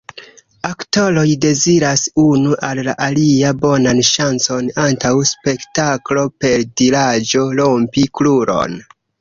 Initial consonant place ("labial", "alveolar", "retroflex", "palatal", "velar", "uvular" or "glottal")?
velar